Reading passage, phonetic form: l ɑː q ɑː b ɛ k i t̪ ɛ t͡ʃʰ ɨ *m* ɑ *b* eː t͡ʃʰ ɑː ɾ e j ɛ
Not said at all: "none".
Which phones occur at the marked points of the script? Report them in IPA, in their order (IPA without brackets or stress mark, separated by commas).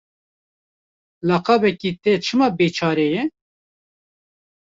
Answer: m, b